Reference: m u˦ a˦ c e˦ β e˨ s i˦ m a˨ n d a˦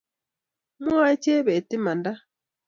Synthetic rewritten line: m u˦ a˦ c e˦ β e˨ t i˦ m a˨ n d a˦